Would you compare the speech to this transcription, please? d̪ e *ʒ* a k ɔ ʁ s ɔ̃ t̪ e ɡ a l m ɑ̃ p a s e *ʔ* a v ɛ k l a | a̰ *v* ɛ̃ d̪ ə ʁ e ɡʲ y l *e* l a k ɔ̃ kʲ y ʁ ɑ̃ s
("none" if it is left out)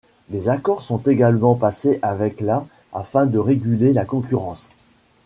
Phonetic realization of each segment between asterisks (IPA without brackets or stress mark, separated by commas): z, ʔ, f, e